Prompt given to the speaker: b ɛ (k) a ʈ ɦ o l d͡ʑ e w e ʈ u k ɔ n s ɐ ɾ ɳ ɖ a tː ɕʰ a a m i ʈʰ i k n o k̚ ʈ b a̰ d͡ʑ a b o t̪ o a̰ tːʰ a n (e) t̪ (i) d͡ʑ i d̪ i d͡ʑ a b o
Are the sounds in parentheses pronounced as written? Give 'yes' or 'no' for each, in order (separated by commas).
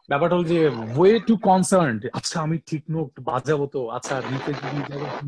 no, no, no